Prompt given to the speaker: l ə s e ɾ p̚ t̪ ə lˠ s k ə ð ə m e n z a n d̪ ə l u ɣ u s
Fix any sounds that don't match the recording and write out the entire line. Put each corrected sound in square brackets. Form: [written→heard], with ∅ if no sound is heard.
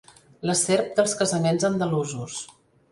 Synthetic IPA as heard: l ə s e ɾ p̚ [t̪→d̪] ə lˠ s k ə [ð→z] ə m e n z [a→ə] n d̪ ə l u [ɣ→z] u s

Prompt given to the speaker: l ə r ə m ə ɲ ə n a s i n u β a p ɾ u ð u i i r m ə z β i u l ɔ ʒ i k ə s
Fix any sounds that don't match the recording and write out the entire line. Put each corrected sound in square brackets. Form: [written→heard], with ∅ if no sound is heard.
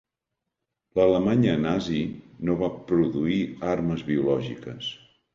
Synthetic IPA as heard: l ə [r→l] ə m [ə→a] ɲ ə n a [s→z] i n [u→o] β a p ɾ u ð u i [i→a] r m ə z β i u l ɔ ʒ i k ə s

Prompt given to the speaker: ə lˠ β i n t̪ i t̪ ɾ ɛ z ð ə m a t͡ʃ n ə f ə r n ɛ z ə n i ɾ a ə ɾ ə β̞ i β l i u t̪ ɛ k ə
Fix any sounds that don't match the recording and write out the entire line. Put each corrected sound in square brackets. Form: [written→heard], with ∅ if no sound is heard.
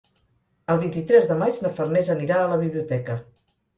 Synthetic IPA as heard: ə lˠ β i n t̪ i t̪ ɾ ɛ z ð ə m a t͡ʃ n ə f ə r n ɛ z ə n i ɾ a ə [ɾ→l] ə β̞ i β l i u t̪ ɛ k ə

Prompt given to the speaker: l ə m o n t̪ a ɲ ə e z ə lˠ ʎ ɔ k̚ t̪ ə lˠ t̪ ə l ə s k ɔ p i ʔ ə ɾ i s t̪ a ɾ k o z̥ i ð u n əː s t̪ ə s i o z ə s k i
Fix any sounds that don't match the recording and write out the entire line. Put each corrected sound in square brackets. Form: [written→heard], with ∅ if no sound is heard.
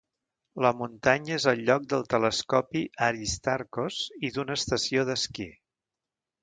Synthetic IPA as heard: l ə m [o→u] n t̪ a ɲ ə e z ə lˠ ʎ ɔ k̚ [t̪→d̪] ə lˠ t̪ ə l ə s k ɔ p i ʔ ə ɾ i s t̪ a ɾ k o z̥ i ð u n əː s t̪ ə s i o [z→ð] ə s k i

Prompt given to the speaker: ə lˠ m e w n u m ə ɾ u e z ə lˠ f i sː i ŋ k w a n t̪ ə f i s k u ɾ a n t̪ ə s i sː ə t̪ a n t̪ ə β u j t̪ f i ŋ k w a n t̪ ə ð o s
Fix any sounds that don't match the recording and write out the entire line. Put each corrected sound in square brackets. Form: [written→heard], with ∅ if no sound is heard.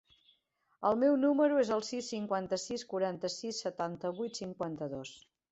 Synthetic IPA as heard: ə lˠ m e w n u m ə ɾ u e z ə lˠ [f→s] i sː i ŋ k w a n t̪ ə [f→s] i s k u ɾ a n t̪ ə s i sː ə t̪ a n t̪ ə β u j t̪ [f→s] i ŋ k w a n t̪ ə ð o s

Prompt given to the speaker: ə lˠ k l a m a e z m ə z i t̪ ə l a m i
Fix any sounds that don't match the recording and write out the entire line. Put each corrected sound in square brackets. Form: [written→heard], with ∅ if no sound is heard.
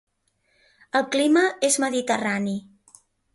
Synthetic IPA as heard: ə lˠ k l [a→i] m [a→ə] e z m ə [z→ð] i t̪ ə [l→r] a [m→n] i

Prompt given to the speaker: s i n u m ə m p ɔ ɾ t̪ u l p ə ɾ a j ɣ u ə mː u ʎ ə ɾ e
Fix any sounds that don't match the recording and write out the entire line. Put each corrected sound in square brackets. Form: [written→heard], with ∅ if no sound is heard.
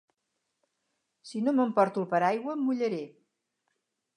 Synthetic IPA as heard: s i n [u→o] m ə m p ɔ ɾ t̪ u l p ə ɾ a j ɣ [u→w] ə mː u ʎ ə ɾ e

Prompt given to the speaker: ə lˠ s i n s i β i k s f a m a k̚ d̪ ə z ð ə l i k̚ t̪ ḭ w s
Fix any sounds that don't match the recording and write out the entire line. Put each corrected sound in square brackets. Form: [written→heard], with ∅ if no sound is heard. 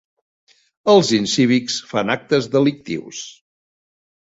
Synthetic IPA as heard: ə lˠ [s→z] i n s i β i k s f a [m→n] a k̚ [d̪→t̪] ə z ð ə l i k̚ t̪ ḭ w s

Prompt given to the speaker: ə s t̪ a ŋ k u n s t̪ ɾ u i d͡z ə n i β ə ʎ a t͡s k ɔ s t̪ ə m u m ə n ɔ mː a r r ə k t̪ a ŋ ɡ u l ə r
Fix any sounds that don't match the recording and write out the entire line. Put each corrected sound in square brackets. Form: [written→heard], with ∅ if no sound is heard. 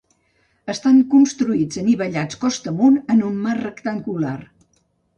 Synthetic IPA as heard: ə s t̪ a ŋ k u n s t̪ ɾ u i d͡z ə n i β ə ʎ a t͡s k ɔ s t̪ ə m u [m→n] ə n [ɔ→u] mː a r r ə k t̪ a ŋ ɡ u l [ə→a] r

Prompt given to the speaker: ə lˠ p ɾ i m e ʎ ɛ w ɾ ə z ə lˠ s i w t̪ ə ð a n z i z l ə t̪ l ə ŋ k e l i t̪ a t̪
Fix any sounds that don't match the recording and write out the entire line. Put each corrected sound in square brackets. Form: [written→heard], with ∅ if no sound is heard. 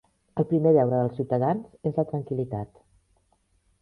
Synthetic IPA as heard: ə lˠ p ɾ i m e ʎ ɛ w ɾ ə [z→ð] ə lˠ s i w t̪ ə ð a n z [i→e] z l ə t̪ [l→ɾ] ə ŋ k [e→i] l i t̪ a t̪

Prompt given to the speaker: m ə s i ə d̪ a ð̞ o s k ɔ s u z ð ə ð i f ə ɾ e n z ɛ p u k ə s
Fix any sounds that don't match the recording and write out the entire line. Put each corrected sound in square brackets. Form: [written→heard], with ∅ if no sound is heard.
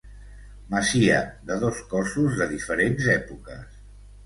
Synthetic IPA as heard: m ə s i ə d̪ [a→ə] ð̞ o s k ɔ s u z ð ə ð i f ə ɾ e n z ɛ p u k ə s

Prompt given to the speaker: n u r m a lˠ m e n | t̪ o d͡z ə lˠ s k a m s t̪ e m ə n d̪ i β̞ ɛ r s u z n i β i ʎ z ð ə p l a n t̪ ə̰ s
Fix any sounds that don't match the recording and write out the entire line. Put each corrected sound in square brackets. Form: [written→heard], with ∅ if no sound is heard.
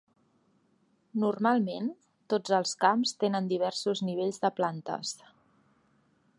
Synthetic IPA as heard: n u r m a lˠ m e n | t̪ o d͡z ə lˠ s k a m s t̪ e [m→n] ə n d̪ i β̞ ɛ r s u z n i β [i→e] ʎ z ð ə p l a n t̪ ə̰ s

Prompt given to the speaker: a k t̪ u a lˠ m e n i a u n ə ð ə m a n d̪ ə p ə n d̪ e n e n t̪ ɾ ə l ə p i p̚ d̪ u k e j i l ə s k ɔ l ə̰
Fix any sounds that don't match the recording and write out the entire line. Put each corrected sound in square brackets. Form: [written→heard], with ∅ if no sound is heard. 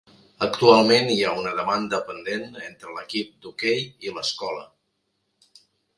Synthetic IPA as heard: [a→ə] k t̪ u a lˠ m e n i a u n ə ð ə m a n d̪ ə p ə n d̪ e n e n t̪ ɾ ə l ə [p→k] i p̚ d̪ u k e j i l ə s k ɔ l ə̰

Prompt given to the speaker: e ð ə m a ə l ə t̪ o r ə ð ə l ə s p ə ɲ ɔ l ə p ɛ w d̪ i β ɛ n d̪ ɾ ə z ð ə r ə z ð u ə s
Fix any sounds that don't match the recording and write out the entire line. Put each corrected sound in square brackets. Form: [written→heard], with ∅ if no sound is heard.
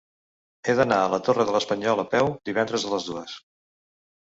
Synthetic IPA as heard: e ð ə [m→n] a ə l ə t̪ o r ə ð ə l ə s p ə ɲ ɔ l ə p ɛ w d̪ i β ɛ n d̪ ɾ ə z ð ə [r→l] ə z ð u ə s

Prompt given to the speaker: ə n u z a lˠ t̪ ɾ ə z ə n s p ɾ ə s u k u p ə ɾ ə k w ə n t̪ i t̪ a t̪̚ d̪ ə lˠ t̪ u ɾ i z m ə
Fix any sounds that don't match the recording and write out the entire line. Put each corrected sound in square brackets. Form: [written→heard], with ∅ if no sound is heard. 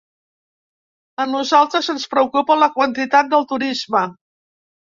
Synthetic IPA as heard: ə n u z a lˠ t̪ ɾ ə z ə n s p ɾ ə [s→∅] u k u p ə [ɾ→l] ə k w ə n t̪ i t̪ a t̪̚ d̪ ə lˠ t̪ u ɾ i z m ə

